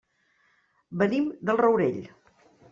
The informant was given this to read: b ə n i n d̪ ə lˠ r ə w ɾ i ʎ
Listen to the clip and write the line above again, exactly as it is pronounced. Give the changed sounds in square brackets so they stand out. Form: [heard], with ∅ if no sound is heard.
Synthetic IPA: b ə n i [m] d̪ ə lˠ r ə w ɾ [e] ʎ